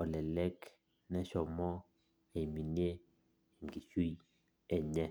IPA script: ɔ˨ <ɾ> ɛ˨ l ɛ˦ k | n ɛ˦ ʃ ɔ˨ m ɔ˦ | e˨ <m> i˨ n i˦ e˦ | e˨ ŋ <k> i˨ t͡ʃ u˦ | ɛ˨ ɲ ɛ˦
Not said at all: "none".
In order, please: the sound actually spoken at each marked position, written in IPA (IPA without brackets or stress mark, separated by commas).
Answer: l, m, ɡ